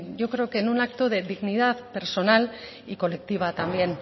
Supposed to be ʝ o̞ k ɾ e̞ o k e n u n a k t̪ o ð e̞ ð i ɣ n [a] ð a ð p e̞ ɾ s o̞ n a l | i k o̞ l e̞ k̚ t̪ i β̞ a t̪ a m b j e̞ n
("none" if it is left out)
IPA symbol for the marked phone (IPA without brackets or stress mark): i